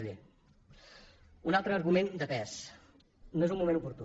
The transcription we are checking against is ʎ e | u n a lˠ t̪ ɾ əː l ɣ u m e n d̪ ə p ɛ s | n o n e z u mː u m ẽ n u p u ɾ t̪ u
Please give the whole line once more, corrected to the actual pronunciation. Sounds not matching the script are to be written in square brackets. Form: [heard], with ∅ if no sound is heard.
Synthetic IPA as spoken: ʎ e | u n a lˠ t̪ ɾ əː [ɾ] ɣ u m e n d̪ ə p ɛ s | n o [∅] e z u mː u m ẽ n u p u ɾ t̪ u